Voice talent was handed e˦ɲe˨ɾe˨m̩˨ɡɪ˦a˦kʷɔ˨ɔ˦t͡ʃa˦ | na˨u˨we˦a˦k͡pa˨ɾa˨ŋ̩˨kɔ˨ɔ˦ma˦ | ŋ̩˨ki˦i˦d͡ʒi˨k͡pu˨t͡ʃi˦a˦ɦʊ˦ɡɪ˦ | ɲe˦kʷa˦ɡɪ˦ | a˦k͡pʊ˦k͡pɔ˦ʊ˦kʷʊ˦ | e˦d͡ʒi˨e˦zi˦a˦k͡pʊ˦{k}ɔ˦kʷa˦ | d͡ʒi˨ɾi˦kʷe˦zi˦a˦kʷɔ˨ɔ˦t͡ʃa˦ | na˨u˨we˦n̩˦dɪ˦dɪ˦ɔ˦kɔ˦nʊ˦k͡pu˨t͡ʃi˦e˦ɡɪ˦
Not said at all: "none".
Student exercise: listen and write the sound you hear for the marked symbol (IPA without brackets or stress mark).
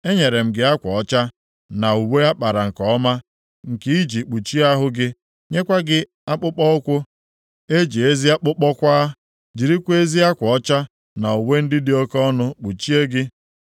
k͡p